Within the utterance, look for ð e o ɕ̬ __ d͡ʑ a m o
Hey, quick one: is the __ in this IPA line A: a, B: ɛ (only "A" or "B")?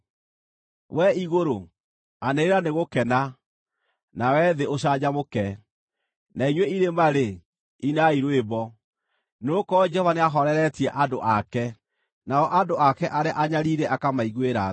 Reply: A